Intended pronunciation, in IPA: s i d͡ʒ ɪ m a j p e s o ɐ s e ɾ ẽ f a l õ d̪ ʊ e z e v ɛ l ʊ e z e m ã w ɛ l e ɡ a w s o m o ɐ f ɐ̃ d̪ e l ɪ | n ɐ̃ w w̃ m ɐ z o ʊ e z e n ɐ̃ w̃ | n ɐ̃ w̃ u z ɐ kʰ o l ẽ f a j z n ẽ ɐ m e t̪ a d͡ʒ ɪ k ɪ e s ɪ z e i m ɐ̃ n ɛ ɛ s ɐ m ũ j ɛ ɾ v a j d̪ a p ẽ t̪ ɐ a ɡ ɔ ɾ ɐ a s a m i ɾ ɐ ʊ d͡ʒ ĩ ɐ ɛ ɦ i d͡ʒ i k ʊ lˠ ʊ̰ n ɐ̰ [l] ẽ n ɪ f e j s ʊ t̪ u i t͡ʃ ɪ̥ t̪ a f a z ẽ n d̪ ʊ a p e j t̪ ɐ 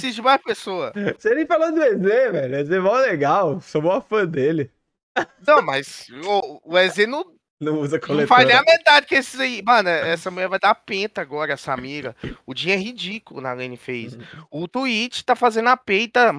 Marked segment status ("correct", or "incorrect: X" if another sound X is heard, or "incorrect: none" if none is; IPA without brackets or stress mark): correct